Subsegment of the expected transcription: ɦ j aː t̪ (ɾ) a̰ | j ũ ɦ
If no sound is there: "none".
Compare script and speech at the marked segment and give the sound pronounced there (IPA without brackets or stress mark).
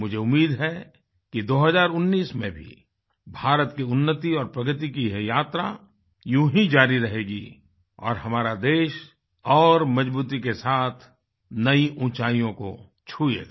ɾ